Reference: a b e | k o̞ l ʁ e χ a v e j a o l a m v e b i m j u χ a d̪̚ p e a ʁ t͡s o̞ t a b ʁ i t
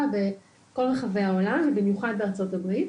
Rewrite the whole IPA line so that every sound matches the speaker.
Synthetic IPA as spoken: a b e | k o̞ l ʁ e χ a v e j a o l a m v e b i m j u χ a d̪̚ b e a ʁ t͡s o̞ t a b ʁ i t